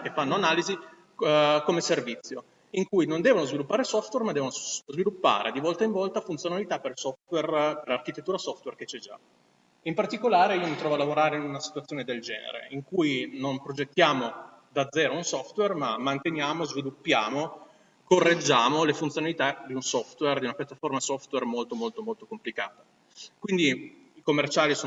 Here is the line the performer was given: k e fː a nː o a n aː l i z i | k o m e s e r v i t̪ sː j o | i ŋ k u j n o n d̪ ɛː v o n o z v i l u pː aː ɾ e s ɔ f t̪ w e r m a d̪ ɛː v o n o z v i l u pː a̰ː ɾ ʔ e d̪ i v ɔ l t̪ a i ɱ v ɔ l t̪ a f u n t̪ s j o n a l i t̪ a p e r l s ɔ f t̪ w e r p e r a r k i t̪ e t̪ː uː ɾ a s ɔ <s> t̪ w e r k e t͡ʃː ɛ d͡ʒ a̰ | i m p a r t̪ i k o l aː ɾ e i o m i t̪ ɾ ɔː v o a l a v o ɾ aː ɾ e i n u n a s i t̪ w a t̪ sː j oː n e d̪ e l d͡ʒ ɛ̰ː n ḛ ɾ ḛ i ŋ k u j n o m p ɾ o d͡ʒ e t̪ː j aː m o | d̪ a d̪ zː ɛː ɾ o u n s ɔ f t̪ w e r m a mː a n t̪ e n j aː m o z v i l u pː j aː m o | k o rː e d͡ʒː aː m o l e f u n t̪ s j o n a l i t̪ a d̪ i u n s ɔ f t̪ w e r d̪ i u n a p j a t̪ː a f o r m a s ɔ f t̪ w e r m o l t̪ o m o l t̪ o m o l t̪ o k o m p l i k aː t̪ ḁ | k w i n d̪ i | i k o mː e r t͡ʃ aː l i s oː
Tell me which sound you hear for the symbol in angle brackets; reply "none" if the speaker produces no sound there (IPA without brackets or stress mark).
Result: f